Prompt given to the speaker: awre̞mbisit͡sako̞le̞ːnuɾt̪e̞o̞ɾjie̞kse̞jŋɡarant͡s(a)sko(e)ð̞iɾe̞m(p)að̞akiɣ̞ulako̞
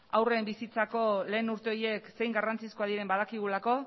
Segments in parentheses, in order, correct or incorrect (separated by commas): incorrect, incorrect, incorrect